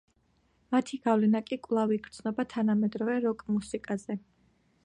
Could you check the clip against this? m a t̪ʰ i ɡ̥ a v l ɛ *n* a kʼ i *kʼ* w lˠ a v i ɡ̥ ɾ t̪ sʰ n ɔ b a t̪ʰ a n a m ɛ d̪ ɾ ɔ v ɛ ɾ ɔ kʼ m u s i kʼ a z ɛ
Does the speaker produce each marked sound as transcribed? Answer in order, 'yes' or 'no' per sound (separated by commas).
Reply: yes, yes